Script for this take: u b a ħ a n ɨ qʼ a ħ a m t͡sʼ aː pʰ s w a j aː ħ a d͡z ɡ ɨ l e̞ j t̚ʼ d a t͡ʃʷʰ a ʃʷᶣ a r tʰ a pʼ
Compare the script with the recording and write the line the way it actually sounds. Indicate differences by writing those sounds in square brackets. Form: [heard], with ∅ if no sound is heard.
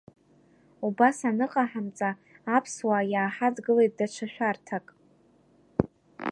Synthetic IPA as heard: u b a [s] a n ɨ qʼ a ħ a m t͡sʼ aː pʰ s w a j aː ħ a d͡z ɡ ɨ l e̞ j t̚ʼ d a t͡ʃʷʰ a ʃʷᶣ a r tʰ a [kʼ]